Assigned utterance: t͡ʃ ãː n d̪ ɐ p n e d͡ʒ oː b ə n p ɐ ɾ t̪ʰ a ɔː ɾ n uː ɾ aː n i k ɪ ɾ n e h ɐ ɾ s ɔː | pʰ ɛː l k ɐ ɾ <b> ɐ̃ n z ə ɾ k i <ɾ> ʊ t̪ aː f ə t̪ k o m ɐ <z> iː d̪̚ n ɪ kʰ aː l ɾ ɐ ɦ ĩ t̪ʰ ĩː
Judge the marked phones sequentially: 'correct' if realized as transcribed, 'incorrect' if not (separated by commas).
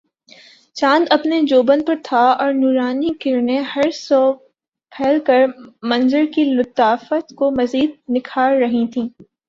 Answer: incorrect, incorrect, correct